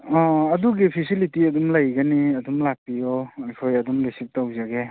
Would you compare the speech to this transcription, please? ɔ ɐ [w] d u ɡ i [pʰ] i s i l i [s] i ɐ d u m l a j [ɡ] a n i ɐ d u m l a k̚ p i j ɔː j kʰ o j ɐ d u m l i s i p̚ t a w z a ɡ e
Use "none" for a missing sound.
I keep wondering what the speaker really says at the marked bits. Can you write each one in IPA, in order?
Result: none, pʰ, t, ɡ

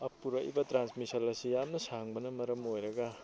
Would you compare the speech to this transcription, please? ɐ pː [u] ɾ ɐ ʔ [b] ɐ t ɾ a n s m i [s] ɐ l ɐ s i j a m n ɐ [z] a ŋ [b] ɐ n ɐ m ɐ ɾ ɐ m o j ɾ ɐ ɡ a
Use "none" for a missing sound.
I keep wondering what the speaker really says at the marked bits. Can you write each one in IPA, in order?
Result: u, b, s, s, b

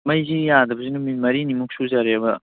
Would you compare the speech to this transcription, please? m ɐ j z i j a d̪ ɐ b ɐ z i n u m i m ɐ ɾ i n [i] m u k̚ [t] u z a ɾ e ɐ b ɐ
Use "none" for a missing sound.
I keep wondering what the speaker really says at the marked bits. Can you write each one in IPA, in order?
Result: i, s

